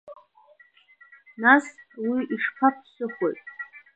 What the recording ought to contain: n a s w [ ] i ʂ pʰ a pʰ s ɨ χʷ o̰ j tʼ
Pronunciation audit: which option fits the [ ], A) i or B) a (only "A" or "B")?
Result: A